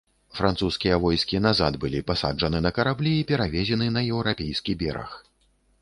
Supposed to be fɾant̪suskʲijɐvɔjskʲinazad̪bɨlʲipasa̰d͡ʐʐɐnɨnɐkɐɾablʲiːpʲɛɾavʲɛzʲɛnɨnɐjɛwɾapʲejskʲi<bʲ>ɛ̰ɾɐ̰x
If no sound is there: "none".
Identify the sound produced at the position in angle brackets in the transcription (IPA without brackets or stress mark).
bʲ